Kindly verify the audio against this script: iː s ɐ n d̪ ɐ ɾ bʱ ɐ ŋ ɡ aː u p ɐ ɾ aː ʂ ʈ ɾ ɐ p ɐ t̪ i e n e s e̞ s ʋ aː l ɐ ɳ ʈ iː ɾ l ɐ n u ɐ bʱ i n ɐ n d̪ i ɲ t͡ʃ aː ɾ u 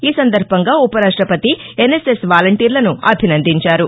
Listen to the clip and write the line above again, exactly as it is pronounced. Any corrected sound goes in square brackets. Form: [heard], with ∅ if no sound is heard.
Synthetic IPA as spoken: iː s ɐ n d̪ ɐ ɾ bʱ ɐ ŋ ɡ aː u p ɐ ɾ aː ʂ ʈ ɾ ɐ p ɐ t̪ i e n e s e̞ s ʋ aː l ɐ ɳ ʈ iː ɾ l ɐ n u ɐ bʱ i n ɐ n d̪ i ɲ t͡ʃ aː ɾ u